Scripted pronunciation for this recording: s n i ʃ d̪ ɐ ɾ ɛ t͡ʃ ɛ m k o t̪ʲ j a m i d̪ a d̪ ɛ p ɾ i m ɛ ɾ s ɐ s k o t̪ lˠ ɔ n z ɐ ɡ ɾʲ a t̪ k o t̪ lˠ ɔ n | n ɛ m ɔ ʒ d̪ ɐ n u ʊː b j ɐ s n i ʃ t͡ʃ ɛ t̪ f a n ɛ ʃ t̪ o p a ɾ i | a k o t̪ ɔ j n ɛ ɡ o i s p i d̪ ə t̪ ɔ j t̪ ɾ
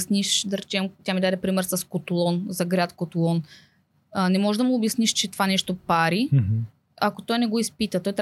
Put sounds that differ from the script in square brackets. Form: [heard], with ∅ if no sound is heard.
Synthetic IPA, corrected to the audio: s n i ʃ d̪ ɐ ɾ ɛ t͡ʃ ɛ m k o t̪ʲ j a m i d̪ a d̪ ɛ p ɾ i m ɛ ɾ s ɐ s k o t̪ lˠ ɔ n z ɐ ɡ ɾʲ a t̪ k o t̪ lˠ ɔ n | n ɛ m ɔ ʒ d̪ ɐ [m] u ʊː b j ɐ s n i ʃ t͡ʃ ɛ t̪ [v] a n ɛ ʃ t̪ o p a ɾ i | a k o t̪ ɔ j n ɛ ɡ o i s p i [t̪] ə t̪ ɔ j t̪ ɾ